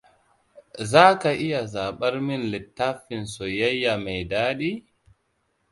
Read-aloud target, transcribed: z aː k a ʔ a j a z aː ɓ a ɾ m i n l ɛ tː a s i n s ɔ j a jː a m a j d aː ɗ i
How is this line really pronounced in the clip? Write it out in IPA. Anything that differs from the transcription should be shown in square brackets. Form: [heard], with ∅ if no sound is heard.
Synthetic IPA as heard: z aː k a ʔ [i] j a z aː ɓ a ɾ m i n l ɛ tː a [f] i n s ɔ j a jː a m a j d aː ɗ i